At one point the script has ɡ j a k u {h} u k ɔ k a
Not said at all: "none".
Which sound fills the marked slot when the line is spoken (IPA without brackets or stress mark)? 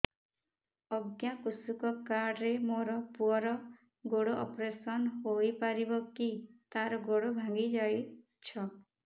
s